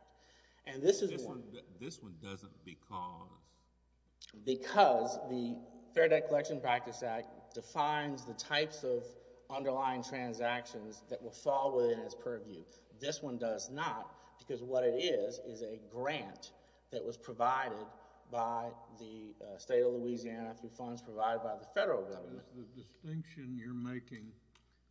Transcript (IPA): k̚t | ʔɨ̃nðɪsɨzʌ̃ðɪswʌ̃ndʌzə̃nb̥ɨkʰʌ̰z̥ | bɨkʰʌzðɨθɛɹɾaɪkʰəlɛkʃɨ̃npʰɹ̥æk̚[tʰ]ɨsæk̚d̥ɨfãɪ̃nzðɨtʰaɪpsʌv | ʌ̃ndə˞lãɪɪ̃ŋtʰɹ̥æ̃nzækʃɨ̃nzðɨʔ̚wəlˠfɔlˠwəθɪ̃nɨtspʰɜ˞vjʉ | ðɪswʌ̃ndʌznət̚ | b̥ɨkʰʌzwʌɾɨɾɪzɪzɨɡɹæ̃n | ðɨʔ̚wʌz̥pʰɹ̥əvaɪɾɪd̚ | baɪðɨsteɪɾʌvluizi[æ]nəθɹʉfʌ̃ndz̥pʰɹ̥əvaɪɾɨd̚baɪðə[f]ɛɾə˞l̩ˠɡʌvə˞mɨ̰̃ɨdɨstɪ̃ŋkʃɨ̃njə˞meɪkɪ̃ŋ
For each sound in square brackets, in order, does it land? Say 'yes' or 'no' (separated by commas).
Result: no, yes, yes